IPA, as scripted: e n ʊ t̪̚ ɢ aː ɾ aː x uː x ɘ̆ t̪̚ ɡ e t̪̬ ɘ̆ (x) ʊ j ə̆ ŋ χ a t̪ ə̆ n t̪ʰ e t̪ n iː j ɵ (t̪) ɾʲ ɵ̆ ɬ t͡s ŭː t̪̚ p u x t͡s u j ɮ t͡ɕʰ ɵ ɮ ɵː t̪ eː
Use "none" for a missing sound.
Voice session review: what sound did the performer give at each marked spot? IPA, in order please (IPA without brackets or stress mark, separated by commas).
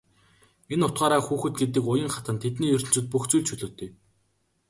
k, none